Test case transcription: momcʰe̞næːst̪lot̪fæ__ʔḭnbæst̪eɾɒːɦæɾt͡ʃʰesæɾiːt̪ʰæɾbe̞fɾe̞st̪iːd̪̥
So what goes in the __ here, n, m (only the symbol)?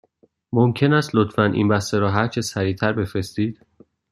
n